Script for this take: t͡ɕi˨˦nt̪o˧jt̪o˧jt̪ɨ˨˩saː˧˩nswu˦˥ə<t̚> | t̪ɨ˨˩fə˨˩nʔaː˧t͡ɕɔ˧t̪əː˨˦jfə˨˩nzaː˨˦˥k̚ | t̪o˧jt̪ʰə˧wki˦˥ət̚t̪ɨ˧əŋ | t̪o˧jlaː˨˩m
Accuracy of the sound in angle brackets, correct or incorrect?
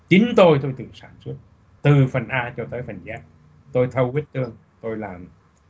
correct